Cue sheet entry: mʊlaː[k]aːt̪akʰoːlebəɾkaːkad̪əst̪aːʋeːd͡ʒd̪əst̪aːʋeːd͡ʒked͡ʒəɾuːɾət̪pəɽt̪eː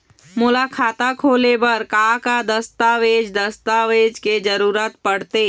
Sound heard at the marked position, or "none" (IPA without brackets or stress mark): kʰ